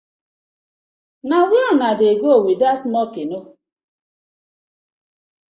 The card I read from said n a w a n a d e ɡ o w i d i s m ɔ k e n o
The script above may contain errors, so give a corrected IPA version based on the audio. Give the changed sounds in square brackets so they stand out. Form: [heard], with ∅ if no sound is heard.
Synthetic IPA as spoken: n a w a n a d e ɡ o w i d [a] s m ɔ k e n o